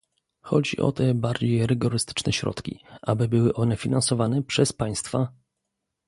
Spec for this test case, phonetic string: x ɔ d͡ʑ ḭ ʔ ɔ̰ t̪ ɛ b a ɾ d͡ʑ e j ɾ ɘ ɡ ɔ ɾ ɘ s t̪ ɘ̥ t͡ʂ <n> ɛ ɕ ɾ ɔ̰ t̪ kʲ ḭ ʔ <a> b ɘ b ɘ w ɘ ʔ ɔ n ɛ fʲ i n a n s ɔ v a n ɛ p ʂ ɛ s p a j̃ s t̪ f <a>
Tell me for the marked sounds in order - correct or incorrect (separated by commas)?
correct, correct, correct